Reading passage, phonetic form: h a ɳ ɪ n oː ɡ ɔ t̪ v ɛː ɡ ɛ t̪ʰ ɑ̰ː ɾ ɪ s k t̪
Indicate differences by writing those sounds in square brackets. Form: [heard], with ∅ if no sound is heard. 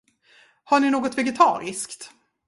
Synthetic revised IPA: h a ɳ ɪ n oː ɡ ɔ t̪ v [ɛ] ɡ ɛ t̪ʰ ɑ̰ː ɾ ɪ s k t̪